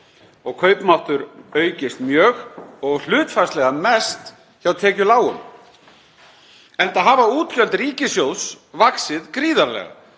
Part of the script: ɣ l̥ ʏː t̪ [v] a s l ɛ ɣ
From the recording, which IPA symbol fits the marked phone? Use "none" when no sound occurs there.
f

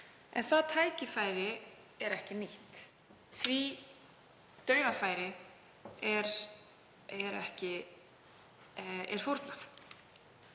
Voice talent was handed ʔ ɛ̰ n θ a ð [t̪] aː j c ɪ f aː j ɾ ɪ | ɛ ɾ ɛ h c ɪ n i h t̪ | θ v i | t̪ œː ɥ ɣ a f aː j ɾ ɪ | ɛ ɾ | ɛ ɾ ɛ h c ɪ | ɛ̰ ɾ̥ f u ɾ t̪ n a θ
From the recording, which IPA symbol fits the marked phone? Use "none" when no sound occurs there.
t̪ʰ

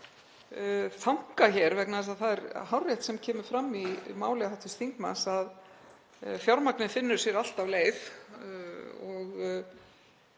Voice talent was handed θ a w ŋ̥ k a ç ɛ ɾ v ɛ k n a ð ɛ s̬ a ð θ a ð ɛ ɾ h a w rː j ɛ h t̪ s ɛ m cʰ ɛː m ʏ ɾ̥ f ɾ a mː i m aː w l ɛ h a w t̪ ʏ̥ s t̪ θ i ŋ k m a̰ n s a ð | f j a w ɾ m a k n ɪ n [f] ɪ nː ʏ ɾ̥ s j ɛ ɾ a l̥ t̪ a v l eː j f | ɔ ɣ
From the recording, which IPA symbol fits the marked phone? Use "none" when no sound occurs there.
f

